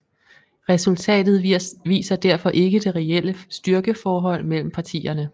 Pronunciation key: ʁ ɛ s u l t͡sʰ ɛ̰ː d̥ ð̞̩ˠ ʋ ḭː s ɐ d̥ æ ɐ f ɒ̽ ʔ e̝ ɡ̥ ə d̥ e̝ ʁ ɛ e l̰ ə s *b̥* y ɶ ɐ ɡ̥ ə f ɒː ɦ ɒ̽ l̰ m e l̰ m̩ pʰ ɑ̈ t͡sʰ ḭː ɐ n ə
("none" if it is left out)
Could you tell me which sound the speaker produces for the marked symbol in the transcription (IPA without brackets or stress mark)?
d̥